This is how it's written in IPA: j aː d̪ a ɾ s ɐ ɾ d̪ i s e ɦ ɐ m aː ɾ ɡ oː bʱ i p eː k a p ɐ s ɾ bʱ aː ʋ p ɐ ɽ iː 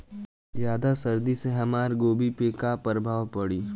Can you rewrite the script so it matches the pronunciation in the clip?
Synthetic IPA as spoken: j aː d̪ a s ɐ ɾ d̪ i s e ɦ ɐ m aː ɾ ɡ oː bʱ i p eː k a p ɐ ɾ bʱ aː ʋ p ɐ ɽ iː